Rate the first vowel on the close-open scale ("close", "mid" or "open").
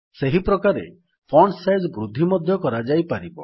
mid